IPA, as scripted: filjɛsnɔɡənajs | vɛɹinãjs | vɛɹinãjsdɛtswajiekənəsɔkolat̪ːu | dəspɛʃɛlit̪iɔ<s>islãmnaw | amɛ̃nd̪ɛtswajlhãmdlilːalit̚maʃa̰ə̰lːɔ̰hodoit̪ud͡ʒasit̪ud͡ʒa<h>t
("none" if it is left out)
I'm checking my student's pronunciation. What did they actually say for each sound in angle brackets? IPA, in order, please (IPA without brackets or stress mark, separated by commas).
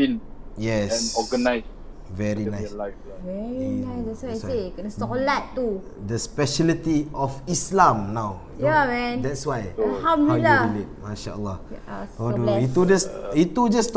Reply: f, s